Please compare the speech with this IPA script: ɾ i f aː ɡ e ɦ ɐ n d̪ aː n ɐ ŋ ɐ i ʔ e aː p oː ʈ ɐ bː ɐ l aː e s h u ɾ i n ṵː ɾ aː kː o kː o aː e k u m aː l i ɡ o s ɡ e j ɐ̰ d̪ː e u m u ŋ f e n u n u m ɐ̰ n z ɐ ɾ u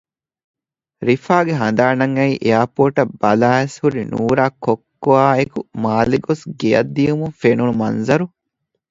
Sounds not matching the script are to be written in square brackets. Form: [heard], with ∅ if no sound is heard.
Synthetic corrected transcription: ɾ i f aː ɡ e ɦ ɐ n d̪ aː n ɐ ŋ ɐ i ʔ e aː p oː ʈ ɐ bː ɐ l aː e s h u ɾ i n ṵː ɾ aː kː o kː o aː e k u m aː l i ɡ o s ɡ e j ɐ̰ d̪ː [i] u m u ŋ f e n u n u m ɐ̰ n z ɐ ɾ u